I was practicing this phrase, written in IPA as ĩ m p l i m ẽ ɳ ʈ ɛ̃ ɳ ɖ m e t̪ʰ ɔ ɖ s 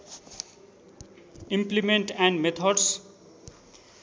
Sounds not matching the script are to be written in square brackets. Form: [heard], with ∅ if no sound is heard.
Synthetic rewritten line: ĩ m p l i m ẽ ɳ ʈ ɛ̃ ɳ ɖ m e t̪ʰ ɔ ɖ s